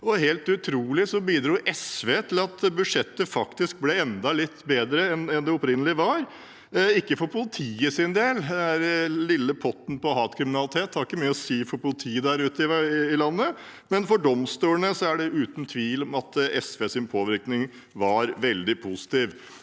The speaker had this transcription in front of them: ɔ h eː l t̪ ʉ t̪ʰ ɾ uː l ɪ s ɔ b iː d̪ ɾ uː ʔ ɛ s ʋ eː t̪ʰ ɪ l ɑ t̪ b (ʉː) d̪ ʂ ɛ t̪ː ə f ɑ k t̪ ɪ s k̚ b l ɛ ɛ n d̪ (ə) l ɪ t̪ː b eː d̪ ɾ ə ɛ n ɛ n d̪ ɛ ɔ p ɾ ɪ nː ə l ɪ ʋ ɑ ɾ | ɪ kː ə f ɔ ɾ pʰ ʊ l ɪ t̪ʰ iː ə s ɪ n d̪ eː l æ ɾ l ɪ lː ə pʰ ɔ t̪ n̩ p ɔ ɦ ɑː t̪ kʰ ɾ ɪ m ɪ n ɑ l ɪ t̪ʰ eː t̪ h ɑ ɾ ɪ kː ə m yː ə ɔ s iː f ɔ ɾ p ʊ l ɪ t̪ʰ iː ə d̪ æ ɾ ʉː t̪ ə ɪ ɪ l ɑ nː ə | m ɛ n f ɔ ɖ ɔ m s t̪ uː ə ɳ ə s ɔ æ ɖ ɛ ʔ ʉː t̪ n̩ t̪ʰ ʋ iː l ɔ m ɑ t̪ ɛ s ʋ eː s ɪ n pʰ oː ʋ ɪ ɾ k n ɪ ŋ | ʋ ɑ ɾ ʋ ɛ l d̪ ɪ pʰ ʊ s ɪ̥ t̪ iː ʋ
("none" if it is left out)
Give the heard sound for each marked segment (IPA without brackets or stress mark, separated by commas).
ʉ, ɑ